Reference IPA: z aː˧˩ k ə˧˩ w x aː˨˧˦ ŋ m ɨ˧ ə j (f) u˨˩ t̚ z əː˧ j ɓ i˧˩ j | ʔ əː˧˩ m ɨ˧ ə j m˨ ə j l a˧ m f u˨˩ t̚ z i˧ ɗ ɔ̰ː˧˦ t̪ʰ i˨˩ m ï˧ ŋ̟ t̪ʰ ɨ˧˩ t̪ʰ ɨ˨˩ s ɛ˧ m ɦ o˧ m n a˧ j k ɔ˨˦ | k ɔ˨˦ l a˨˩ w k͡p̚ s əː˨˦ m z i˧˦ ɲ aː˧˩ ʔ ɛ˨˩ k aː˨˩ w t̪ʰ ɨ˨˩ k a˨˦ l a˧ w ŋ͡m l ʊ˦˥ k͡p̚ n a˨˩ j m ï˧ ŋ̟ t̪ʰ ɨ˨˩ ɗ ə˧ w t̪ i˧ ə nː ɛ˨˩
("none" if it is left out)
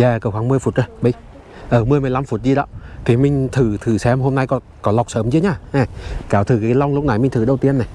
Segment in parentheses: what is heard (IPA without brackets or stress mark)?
f